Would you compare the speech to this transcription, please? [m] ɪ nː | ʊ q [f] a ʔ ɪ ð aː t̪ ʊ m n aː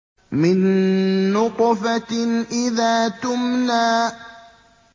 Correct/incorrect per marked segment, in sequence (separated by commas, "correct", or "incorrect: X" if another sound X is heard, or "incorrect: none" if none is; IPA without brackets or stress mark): correct, correct